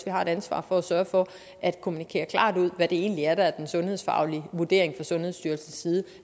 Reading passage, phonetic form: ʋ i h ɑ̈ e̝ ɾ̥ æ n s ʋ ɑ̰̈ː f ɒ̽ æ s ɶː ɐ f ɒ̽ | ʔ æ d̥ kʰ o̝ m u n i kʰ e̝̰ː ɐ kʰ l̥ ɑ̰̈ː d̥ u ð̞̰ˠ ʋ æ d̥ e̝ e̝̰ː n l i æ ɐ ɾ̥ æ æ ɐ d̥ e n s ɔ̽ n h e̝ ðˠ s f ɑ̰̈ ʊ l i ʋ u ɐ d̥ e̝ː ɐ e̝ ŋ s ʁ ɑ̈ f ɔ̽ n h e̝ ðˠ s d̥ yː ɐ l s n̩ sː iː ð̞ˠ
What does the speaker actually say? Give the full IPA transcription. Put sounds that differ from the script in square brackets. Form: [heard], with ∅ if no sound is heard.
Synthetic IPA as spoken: ʋ i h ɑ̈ e̝ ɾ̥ æ n s ʋ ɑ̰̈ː f ɒ̽ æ s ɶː ɐ f ɒ̽ | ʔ æ d̥ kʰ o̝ m u n i kʰ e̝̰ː ɐ kʰ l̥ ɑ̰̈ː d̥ u ð̞̰ˠ ʋ æ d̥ e̝ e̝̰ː n l i æ ɐ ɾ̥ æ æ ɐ d̥ e n s ɔ̽ n h e̝ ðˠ s f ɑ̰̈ ʊ l i ʋ u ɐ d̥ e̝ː ɐ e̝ ŋ [f] ʁ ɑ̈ [s] ɔ̽ n h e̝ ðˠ s d̥ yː ɐ l s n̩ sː iː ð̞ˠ